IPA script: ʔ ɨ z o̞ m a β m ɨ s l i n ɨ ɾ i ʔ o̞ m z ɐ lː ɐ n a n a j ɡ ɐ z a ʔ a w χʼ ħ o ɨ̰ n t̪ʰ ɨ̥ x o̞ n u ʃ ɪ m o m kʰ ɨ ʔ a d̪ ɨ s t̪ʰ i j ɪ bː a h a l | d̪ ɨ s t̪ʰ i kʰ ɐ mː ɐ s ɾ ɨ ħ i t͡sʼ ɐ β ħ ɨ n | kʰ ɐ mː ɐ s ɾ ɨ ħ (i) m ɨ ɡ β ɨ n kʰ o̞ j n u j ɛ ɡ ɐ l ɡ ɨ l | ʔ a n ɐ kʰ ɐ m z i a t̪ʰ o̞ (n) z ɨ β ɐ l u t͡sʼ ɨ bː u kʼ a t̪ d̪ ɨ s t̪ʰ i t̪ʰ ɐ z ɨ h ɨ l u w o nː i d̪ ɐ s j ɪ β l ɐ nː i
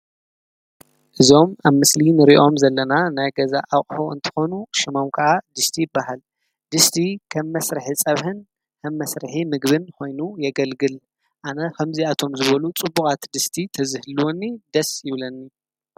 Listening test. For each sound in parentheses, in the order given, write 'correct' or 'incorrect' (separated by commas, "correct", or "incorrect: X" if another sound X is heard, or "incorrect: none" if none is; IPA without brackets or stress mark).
correct, incorrect: m